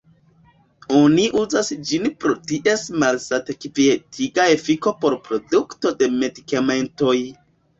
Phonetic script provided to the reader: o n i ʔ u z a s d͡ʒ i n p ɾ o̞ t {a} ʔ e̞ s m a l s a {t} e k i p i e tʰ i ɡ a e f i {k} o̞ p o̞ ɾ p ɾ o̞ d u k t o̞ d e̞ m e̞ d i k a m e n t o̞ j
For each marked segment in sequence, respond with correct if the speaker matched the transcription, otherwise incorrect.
incorrect: i, correct, correct

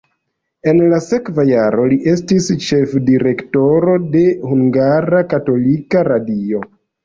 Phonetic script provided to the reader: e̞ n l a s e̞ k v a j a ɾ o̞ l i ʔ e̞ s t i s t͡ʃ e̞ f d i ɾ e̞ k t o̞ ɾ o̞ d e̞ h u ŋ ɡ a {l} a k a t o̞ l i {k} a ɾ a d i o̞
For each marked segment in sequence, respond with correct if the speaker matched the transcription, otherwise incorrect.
incorrect: ɾ, correct

